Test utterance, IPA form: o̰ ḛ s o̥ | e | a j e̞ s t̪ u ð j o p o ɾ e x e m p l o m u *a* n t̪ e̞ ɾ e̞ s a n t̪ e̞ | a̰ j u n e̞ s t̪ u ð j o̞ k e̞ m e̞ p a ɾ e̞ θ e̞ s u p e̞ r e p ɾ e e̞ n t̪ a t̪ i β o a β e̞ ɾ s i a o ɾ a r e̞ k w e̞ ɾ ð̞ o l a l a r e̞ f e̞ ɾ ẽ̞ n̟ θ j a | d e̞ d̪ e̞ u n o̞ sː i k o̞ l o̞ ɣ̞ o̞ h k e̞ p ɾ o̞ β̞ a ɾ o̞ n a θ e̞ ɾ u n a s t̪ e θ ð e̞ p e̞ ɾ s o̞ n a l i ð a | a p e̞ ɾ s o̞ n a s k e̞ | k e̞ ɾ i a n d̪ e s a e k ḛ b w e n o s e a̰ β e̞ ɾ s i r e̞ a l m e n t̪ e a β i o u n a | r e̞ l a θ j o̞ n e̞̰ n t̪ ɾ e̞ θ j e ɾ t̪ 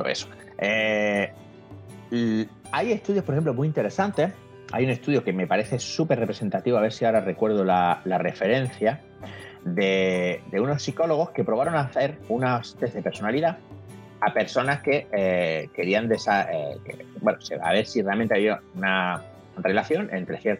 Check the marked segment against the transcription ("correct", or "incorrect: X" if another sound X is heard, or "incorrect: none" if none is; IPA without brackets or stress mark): incorrect: i